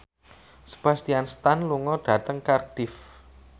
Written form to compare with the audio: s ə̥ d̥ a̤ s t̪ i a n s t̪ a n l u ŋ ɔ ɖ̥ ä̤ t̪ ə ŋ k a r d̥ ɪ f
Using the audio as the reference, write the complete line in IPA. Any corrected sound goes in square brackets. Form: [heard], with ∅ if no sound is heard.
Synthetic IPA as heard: s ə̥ [b̥] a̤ s t̪ i a n s t̪ a n l u ŋ ɔ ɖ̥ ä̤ t̪ ə ŋ k a r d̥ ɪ f